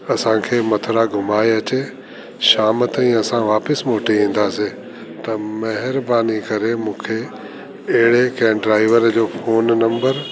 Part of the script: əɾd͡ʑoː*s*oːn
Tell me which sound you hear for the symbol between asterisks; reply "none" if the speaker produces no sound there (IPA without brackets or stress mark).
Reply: f